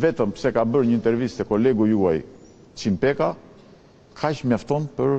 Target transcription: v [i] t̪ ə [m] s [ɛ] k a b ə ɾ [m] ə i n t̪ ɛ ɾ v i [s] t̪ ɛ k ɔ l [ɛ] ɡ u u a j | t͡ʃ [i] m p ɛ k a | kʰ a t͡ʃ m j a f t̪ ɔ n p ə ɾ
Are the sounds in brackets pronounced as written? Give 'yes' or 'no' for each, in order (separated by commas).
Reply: no, yes, yes, no, yes, yes, yes